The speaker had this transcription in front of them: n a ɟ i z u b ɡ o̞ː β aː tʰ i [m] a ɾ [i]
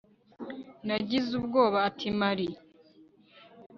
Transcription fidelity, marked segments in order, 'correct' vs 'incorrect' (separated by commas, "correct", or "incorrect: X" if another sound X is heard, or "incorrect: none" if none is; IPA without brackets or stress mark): correct, correct